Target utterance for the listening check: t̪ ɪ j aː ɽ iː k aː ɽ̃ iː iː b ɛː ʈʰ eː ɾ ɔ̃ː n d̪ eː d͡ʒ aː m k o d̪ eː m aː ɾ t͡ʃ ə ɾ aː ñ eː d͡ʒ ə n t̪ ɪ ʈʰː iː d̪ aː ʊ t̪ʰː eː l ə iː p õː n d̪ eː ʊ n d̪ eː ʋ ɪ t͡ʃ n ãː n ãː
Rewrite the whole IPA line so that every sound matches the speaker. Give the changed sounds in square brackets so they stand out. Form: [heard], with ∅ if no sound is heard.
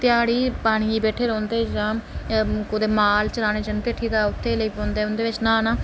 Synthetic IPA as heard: t̪ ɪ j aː ɽ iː [p] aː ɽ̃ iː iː b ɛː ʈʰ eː ɾ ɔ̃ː n d̪ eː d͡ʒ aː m k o d̪ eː m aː [l] t͡ʃ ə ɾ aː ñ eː d͡ʒ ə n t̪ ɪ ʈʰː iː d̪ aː ʊ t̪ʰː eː l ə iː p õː n d̪ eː ʊ n d̪ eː ʋ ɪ t͡ʃ n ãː n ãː